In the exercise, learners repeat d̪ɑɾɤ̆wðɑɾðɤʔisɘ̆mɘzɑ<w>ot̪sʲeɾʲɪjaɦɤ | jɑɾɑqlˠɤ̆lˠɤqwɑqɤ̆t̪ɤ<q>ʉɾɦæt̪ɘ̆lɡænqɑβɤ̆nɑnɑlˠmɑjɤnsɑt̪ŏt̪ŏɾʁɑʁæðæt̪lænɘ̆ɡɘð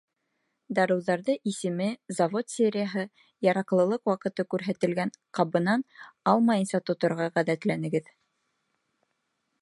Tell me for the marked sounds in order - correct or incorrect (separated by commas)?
incorrect, incorrect